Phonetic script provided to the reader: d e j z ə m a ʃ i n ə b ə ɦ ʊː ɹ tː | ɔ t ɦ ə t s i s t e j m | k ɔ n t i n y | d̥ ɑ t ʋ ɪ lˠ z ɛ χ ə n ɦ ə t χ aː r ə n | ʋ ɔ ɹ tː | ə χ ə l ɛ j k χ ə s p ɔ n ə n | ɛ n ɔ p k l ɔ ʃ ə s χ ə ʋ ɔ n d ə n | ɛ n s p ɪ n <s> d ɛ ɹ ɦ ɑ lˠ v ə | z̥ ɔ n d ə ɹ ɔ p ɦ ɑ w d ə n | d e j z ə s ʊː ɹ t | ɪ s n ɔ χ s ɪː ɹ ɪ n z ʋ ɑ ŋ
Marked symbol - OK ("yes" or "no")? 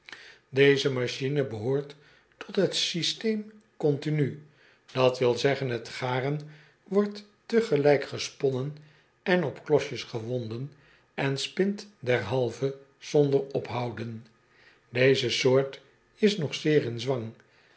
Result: no